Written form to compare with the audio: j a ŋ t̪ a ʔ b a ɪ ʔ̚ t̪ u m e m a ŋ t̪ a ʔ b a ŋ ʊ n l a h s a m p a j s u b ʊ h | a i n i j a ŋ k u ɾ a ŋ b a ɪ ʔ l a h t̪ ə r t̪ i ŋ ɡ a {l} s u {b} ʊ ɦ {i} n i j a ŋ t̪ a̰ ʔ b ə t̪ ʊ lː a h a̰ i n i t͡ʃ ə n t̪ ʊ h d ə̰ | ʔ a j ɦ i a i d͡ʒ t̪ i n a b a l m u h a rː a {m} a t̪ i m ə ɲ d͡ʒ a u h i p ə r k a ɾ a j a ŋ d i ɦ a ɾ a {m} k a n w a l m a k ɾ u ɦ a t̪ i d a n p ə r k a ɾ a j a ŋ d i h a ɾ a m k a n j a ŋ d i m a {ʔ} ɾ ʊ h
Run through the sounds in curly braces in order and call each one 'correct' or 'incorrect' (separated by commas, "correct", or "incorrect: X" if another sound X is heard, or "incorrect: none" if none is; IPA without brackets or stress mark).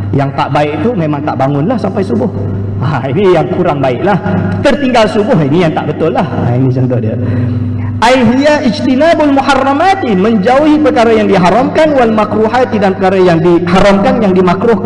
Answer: correct, correct, correct, correct, correct, incorrect: k